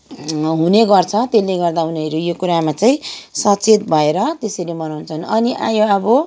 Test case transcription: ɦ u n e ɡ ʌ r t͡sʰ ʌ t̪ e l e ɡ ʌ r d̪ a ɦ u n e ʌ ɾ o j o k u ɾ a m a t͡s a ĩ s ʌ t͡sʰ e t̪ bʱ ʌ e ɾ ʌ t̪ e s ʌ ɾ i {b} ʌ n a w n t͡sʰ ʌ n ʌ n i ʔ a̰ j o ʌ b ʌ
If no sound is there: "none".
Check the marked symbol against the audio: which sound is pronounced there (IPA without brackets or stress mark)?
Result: m